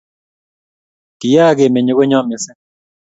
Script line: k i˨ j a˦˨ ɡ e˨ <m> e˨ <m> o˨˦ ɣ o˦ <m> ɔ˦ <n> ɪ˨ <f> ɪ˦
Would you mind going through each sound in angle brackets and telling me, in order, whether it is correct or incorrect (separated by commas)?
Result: correct, incorrect, incorrect, incorrect, incorrect